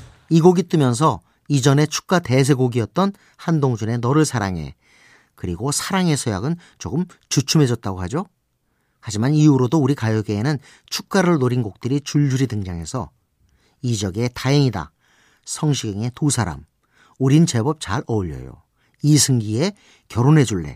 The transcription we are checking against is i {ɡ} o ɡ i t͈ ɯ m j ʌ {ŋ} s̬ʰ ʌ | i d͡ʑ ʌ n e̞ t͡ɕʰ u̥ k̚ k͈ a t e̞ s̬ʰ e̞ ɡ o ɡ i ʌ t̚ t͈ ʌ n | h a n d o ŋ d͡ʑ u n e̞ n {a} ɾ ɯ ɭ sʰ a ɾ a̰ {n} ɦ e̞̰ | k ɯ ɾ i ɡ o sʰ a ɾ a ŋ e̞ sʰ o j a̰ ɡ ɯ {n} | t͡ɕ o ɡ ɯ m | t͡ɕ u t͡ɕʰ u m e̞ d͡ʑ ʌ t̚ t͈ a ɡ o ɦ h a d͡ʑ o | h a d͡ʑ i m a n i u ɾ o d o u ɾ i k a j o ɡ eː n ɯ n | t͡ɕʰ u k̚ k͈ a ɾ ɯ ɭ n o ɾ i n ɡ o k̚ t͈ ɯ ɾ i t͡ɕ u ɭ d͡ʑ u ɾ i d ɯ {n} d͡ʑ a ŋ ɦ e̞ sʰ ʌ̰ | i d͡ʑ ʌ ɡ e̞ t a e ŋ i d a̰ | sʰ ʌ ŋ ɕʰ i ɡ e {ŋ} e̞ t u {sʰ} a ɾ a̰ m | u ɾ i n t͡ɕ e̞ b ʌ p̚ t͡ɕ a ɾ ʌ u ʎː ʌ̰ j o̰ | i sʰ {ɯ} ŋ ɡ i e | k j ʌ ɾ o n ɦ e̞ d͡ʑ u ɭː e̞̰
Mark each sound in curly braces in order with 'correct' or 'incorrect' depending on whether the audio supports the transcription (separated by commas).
correct, incorrect, incorrect, incorrect, correct, incorrect, correct, correct, correct